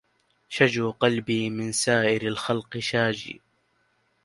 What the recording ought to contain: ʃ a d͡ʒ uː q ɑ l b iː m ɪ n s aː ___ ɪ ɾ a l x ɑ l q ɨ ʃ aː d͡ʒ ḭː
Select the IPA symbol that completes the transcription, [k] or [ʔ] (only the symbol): ʔ